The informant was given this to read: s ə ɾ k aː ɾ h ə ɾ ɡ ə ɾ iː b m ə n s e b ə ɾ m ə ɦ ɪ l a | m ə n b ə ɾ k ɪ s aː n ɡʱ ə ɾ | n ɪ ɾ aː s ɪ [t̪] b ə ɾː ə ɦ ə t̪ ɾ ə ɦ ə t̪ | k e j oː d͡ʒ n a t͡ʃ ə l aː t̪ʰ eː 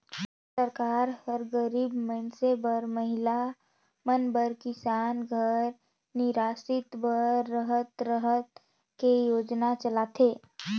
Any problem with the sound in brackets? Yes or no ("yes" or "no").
no